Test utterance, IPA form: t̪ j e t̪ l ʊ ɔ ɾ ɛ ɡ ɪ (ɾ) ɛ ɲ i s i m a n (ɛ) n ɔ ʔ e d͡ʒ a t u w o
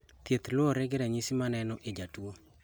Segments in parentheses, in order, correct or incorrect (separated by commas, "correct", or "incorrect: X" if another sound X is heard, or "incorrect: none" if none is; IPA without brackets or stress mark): correct, correct